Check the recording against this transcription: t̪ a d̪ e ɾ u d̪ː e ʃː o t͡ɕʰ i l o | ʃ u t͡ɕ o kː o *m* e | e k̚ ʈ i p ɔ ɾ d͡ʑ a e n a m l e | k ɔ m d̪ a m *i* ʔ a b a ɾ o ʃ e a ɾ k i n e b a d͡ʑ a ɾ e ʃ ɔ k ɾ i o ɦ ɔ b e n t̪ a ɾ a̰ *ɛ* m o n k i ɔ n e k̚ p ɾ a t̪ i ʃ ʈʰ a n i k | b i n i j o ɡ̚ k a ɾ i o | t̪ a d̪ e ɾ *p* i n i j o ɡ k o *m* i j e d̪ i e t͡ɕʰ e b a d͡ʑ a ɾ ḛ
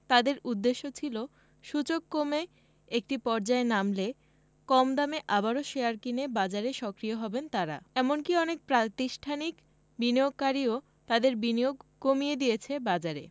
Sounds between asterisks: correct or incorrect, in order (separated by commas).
correct, incorrect, correct, incorrect, correct